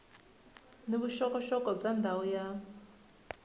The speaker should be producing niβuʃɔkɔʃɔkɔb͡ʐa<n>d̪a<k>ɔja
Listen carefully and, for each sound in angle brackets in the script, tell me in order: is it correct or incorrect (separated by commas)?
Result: correct, incorrect